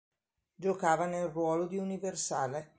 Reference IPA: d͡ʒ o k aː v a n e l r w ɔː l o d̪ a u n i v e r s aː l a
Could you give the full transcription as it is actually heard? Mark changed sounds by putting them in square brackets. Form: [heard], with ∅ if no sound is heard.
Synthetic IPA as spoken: d͡ʒ o k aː v a n e l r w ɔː l o d̪ [i] u n i v e r s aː l [e]